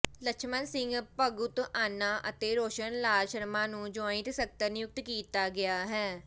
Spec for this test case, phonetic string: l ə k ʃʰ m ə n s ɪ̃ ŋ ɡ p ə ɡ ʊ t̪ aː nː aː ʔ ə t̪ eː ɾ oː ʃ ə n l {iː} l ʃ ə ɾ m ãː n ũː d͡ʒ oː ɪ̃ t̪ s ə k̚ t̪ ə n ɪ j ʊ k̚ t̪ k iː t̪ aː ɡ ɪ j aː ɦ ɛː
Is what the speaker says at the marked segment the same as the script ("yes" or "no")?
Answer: no